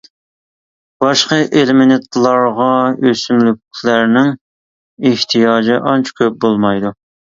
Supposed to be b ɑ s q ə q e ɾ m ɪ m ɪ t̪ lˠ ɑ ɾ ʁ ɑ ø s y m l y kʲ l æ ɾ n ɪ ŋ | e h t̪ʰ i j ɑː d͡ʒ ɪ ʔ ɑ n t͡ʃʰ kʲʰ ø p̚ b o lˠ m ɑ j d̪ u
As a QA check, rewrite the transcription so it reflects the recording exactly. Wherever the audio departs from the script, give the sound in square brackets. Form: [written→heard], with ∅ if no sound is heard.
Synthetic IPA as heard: b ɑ [s→ʃ] q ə [q→ʔ] e [ɾ→l] m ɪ [m→n] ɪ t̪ lˠ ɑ ɾ ʁ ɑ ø s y m l y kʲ l æ ɾ n ɪ ŋ | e h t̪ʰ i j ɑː d͡ʒ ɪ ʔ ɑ n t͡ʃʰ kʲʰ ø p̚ b o lˠ m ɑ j d̪ u